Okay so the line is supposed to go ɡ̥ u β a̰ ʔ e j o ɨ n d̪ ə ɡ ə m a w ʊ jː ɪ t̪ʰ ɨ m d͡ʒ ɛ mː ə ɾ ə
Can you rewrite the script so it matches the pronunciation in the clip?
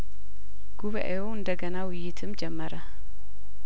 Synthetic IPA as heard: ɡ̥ u β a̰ ʔ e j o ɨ n d̪ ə ɡ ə n a w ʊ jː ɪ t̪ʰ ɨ m d͡ʒ ɛ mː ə ɾ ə